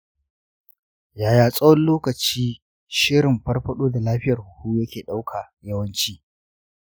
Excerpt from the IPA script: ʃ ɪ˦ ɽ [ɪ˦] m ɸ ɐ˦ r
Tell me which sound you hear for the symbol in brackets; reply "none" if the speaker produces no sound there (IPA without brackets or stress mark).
ɪ˨